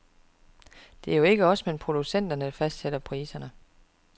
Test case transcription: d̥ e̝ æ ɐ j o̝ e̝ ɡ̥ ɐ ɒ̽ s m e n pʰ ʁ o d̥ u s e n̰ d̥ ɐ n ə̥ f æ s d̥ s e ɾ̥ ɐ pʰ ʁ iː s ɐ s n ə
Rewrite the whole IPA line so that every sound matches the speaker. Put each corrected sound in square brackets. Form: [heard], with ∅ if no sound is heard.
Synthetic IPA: d̥ e̝ æ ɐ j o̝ e̝ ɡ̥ [ə] ɒ̽ s m e n pʰ ʁ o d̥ u s e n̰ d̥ ɐ n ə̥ f æ s d̥ s e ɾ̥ ɐ pʰ ʁ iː s ɐ [∅] n ə